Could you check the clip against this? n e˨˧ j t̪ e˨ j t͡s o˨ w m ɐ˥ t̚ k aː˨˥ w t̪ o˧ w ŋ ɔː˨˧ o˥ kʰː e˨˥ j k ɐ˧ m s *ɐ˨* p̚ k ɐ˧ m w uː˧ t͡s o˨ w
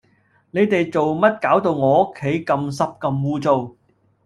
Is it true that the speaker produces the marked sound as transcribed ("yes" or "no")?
no